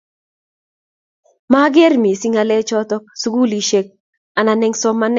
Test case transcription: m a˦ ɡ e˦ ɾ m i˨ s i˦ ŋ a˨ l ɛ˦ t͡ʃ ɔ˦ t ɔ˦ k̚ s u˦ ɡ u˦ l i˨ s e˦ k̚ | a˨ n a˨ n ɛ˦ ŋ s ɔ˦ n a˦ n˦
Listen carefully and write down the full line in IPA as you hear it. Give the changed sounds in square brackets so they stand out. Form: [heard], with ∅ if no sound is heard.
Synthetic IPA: m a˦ ɡ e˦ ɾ m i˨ s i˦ ŋ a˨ l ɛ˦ t͡ʃ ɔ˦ t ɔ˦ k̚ s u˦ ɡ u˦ l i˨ [ʃ] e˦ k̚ | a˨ n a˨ n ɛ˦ ŋ s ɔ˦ [m] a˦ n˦